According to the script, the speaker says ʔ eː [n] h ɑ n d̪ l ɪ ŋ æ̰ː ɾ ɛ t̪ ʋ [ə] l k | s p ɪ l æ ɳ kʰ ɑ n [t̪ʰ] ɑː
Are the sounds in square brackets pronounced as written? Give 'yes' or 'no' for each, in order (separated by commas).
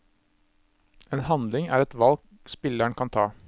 yes, no, yes